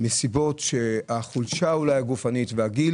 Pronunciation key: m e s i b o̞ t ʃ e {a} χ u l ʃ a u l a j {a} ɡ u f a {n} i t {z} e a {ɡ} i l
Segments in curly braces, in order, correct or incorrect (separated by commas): correct, correct, correct, incorrect, correct